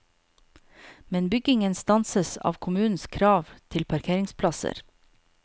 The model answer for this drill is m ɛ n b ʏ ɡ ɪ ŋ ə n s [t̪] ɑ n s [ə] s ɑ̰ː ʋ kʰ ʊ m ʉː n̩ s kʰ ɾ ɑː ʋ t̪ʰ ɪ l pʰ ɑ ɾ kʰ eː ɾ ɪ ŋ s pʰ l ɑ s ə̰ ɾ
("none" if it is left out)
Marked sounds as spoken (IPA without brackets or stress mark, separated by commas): t̪, ə